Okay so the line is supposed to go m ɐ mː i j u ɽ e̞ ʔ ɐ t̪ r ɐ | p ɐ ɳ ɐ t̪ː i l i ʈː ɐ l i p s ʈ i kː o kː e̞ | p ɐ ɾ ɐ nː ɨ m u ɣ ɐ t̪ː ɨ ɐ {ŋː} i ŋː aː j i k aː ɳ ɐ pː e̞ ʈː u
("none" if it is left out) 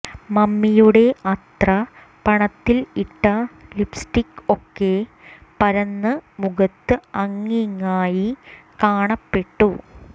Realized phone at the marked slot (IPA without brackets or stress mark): ŋː